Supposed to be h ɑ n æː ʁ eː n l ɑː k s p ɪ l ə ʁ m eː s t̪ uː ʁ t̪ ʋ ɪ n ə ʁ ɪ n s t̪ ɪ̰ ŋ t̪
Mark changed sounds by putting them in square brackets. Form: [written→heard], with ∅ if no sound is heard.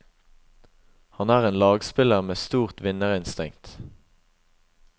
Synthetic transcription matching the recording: h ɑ n æː ʁ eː n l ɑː [k→ɡ] s p ɪ l ə ʁ m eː s t̪ uː ʁ t̪ ʋ ɪ n ə ʁ ɪ n s t̪ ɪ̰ ŋ t̪